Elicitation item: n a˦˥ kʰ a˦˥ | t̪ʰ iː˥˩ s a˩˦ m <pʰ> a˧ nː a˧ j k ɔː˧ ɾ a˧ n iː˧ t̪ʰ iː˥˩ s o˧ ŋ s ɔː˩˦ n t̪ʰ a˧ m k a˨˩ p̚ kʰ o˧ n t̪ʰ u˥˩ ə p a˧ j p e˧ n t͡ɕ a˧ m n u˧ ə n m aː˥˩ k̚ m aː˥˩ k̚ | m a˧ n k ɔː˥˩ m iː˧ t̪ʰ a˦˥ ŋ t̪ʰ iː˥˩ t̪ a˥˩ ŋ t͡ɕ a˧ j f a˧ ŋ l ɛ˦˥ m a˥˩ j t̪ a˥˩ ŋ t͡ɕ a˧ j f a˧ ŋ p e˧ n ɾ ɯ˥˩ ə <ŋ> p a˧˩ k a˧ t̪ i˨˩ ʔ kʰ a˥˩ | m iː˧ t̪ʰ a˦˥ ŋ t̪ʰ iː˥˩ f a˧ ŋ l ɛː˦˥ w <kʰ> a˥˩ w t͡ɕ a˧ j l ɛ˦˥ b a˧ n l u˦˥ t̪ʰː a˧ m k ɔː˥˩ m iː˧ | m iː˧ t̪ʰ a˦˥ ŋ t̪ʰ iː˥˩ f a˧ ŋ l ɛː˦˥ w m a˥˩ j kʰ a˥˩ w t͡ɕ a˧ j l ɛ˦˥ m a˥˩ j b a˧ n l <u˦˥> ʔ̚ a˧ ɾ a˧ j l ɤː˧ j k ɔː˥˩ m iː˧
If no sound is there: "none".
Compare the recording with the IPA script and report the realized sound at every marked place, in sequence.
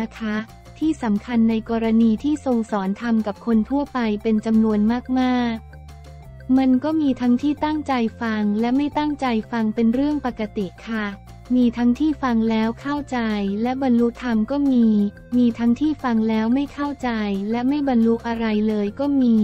kʰ, ŋ, kʰ, u˦˥

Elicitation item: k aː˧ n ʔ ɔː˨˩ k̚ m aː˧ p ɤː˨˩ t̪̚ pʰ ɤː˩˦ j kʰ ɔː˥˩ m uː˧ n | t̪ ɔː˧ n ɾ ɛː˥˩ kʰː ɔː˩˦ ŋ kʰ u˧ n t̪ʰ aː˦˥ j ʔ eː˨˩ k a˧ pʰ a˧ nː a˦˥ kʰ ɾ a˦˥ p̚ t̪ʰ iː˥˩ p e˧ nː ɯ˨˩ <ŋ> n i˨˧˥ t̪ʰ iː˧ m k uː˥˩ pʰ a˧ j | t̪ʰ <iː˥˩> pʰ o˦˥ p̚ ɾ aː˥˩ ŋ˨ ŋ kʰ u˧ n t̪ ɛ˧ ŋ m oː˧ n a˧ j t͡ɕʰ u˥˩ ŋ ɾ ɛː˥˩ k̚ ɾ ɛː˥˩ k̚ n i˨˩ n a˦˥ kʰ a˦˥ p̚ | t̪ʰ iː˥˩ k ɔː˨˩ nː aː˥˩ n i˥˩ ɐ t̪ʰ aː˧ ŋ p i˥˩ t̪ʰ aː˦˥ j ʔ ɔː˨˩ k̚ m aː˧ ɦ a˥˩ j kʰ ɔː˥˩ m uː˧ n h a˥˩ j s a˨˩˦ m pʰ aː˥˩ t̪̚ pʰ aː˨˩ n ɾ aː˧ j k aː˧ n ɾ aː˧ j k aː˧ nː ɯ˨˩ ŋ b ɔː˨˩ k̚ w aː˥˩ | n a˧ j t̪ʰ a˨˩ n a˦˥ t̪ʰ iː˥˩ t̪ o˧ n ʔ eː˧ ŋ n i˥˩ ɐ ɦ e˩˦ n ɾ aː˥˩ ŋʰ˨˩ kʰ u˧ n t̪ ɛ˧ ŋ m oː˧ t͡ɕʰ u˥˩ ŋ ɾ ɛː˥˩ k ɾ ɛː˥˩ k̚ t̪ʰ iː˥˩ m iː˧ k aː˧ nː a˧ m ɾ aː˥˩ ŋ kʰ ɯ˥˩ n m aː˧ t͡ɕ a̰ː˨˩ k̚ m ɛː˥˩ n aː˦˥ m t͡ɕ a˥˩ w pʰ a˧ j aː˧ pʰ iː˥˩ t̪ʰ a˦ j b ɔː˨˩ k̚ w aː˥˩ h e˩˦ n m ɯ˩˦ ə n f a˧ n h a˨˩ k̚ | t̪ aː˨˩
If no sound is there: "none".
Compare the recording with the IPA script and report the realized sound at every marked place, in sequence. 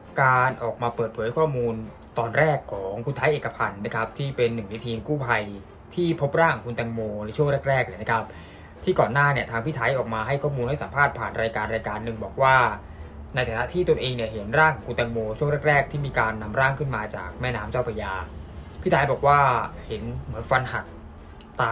ŋ, iː˥˩

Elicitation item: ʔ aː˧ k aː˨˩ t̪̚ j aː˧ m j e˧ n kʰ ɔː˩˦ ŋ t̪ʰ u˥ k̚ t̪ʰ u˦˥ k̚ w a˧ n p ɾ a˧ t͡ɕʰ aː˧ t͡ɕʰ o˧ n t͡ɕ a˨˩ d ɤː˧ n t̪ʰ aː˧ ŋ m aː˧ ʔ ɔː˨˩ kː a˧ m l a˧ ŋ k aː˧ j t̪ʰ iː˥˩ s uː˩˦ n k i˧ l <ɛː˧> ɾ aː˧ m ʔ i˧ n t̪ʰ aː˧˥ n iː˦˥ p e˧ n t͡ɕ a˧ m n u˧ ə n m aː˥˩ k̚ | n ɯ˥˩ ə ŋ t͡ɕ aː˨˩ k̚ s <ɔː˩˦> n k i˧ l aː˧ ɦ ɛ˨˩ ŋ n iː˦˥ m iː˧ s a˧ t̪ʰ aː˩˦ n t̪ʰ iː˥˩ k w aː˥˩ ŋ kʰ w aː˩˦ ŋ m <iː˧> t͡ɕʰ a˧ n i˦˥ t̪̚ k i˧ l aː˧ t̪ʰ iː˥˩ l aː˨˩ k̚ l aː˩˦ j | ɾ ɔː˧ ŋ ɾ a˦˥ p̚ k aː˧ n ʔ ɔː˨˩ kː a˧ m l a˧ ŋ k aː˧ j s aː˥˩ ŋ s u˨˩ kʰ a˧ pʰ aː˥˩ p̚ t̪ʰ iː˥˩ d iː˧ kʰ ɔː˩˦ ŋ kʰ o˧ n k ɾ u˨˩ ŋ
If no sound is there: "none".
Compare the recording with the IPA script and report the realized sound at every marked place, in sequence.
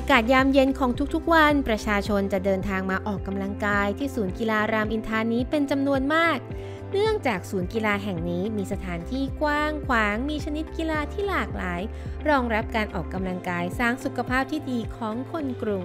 aː˧, uː˩˦, iː˧

